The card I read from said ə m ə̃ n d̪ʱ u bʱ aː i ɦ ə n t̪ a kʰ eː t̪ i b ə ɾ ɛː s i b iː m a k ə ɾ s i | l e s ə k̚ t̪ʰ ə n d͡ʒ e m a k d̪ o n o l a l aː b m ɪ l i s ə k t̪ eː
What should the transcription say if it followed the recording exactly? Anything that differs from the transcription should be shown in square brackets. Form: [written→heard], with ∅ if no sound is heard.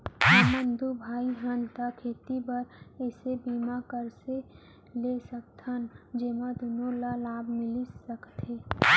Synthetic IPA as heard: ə m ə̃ n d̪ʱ u bʱ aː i ɦ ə n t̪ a kʰ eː t̪ i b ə ɾ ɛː s [i→e] b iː m a k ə ɾ s [i→e] | l e s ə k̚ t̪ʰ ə n d͡ʒ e m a [k→∅] d̪ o n o l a l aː b m ɪ l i s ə k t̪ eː